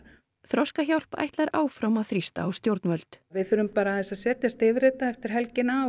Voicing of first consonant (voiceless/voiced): voiceless